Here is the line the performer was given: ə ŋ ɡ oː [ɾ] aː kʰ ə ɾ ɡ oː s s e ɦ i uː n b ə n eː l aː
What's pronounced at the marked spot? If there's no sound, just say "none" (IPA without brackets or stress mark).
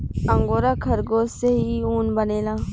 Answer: ɾ